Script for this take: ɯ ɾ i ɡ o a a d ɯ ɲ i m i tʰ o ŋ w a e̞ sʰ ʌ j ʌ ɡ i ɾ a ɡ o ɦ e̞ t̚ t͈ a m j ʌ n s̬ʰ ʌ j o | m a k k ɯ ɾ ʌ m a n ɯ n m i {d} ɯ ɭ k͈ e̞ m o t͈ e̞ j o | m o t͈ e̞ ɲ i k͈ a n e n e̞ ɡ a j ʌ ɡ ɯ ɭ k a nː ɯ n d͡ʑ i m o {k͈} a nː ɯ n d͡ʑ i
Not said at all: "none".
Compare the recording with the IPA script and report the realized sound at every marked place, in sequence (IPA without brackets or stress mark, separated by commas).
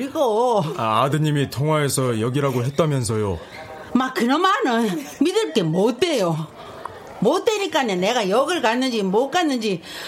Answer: d, k͈